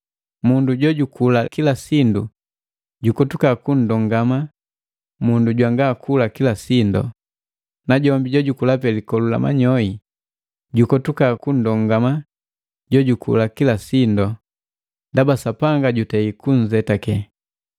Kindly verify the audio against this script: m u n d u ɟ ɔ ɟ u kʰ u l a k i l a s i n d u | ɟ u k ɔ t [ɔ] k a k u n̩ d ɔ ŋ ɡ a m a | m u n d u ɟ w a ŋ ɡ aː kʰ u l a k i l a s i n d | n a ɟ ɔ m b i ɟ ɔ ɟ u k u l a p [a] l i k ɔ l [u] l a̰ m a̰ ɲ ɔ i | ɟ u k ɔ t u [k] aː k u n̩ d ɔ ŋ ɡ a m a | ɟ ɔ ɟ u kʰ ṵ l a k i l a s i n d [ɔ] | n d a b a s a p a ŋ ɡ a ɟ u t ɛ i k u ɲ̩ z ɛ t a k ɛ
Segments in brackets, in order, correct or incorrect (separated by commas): incorrect, incorrect, correct, correct, correct